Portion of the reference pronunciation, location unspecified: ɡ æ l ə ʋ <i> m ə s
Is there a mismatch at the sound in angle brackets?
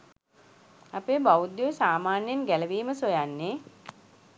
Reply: yes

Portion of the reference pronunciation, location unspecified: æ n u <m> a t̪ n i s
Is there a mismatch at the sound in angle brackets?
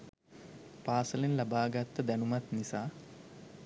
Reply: no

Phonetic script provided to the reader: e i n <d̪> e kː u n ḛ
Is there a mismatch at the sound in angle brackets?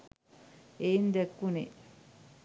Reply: no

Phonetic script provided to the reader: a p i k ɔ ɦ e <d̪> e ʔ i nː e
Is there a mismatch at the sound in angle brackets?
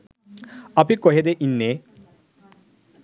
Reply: no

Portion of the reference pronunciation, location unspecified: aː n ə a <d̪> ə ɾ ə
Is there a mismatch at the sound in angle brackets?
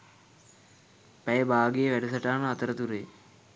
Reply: yes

